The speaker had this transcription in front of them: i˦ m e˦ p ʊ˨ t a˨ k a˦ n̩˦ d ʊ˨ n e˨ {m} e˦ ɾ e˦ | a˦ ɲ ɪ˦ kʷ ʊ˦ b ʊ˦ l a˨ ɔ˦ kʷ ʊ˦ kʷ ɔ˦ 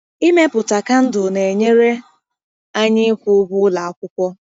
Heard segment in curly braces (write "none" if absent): ɲ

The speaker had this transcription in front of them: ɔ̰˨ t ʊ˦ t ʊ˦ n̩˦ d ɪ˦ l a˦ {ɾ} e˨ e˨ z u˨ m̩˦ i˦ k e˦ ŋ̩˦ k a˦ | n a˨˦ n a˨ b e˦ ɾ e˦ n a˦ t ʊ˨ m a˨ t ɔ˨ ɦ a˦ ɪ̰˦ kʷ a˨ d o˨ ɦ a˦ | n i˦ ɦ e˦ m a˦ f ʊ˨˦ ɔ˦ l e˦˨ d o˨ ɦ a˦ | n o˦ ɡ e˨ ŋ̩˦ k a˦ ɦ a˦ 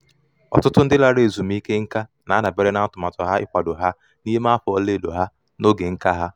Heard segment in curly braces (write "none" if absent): ɾ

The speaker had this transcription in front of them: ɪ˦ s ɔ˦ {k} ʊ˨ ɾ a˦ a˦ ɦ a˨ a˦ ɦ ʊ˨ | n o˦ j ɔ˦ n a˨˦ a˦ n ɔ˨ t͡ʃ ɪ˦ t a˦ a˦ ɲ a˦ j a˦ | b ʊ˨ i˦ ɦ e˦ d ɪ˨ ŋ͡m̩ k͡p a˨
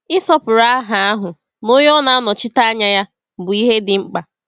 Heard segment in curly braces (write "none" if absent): p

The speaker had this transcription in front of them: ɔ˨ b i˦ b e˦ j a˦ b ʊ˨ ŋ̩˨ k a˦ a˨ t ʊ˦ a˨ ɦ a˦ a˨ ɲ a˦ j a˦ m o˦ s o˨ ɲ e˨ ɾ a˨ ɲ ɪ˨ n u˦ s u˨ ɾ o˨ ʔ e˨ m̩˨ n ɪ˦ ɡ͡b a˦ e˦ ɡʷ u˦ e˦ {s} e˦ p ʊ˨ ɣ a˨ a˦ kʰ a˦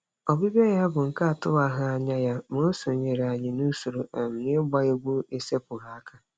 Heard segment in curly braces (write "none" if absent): s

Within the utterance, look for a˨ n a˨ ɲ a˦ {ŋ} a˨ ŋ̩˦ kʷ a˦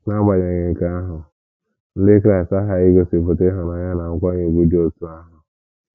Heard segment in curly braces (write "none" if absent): n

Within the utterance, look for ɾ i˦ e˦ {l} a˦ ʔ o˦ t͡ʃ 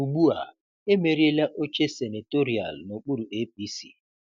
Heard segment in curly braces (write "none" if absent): l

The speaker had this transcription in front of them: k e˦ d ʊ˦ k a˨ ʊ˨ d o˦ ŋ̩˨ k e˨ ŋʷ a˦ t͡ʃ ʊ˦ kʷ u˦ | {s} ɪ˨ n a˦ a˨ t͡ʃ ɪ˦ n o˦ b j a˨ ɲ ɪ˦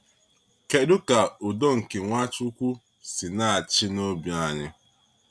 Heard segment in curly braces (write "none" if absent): s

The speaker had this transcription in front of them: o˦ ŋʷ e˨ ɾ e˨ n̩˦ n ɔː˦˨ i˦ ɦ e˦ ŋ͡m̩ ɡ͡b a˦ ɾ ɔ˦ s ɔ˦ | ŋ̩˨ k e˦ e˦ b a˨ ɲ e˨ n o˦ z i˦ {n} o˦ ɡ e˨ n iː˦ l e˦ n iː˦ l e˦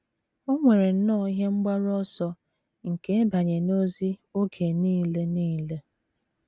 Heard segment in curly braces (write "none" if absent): none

